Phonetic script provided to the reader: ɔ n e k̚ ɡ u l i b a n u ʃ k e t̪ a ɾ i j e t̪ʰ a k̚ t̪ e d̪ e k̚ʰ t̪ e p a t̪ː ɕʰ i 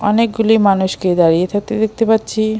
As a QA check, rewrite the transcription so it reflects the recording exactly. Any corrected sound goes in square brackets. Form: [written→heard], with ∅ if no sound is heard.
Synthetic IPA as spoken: ɔ n e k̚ ɡ u l i [b→m] a n u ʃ k e [t̪→d̪] a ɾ i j e t̪ʰ a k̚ t̪ e d̪ e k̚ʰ t̪ e p a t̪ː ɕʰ i